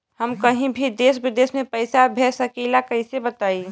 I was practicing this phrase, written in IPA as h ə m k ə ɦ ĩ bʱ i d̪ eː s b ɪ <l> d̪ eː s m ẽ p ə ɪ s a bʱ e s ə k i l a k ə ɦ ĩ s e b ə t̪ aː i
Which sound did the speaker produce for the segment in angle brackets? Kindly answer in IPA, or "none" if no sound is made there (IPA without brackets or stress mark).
none